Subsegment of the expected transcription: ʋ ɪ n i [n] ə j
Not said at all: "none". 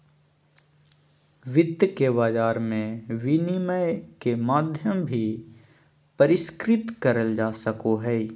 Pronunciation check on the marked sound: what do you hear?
m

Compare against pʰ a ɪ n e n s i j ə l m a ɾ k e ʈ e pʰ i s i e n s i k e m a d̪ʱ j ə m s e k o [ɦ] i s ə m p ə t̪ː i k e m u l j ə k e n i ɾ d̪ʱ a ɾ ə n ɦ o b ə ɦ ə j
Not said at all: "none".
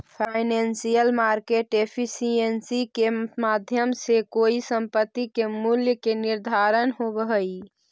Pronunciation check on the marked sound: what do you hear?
none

